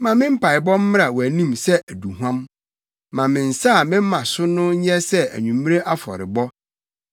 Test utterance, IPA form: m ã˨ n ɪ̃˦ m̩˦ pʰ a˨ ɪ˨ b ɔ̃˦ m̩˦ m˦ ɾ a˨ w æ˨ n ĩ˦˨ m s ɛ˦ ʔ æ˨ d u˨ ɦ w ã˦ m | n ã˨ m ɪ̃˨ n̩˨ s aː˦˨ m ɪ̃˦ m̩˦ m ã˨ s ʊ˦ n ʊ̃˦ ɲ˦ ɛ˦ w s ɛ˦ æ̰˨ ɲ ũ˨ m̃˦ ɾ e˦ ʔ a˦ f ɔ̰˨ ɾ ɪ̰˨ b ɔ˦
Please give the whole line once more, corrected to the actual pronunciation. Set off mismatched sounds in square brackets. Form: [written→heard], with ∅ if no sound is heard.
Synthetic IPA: m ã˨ [n→m] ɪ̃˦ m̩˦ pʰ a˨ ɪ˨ b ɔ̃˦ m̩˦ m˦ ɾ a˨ w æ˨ n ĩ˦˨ m s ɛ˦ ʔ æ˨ d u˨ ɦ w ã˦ m | [n→m] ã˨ m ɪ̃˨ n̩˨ s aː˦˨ m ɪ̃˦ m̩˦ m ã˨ s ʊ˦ n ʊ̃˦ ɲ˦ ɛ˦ [w→∅] s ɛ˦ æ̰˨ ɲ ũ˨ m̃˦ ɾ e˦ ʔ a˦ f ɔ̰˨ ɾ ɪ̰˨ b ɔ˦